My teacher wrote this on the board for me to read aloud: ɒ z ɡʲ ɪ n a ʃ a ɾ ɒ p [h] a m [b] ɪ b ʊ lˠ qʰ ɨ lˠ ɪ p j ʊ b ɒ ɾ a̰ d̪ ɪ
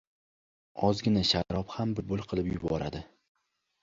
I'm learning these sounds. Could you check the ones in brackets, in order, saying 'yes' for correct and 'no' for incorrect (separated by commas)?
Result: yes, yes